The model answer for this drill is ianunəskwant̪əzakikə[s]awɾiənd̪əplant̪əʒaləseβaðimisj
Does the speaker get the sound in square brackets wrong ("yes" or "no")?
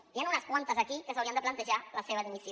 no